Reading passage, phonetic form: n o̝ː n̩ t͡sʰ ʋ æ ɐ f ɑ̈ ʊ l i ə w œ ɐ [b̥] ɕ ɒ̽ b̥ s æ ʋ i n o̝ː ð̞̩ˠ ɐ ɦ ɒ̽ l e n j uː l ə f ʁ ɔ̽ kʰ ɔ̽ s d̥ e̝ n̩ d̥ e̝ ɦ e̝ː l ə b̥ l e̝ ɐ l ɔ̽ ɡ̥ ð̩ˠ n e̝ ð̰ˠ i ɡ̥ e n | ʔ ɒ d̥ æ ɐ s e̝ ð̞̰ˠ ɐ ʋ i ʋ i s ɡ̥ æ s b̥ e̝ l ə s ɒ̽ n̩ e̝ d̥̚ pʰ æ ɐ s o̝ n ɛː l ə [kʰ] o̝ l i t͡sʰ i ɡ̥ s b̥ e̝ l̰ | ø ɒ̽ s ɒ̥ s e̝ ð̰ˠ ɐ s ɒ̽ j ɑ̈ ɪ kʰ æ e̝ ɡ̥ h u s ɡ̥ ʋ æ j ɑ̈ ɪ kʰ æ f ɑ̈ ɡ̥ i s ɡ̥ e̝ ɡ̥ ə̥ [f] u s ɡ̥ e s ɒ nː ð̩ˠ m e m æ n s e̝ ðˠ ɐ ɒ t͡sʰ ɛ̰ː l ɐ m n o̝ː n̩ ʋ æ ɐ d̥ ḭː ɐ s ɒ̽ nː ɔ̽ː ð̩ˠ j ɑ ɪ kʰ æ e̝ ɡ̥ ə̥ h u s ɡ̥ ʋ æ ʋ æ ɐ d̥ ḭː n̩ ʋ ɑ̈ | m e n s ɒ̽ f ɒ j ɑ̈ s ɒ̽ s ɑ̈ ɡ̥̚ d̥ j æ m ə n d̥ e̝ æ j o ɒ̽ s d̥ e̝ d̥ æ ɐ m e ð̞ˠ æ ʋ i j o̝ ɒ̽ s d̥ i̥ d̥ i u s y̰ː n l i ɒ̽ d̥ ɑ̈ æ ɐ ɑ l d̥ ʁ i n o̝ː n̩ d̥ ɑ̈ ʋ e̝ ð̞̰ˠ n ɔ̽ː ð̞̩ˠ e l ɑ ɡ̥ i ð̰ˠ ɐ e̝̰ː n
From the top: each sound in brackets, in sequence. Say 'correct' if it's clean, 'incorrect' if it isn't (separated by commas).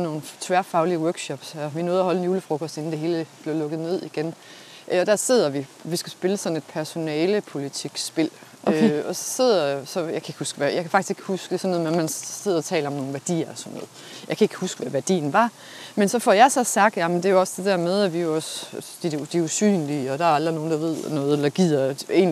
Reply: incorrect, incorrect, incorrect